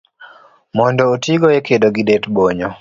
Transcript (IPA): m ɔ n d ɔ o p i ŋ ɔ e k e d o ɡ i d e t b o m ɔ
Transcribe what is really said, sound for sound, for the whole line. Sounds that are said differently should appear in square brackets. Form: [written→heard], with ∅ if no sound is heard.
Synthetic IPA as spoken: m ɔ n d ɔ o [p→t] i [ŋ→ɡ] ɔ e k e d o ɡ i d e t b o [m→ɲ] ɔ